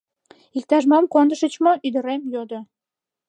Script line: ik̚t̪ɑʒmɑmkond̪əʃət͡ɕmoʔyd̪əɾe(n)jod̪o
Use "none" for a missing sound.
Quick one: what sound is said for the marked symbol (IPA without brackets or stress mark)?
m